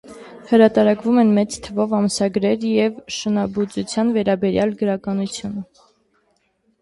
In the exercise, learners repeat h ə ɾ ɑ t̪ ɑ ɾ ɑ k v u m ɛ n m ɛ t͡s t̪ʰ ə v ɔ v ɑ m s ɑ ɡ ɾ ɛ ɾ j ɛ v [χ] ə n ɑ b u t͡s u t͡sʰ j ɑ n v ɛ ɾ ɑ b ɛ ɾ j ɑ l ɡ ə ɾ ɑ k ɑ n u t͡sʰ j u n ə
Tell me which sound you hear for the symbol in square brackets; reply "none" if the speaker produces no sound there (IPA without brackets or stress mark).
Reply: ʃ